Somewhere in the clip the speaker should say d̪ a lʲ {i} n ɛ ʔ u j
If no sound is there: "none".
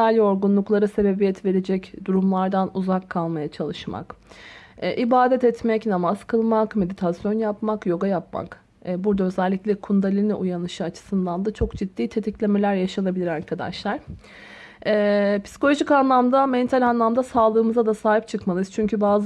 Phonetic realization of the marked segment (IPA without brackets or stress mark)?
i